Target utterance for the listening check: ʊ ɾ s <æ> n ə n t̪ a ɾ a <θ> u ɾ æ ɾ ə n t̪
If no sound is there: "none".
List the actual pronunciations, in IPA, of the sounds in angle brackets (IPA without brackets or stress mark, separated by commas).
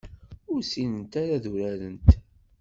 i, ð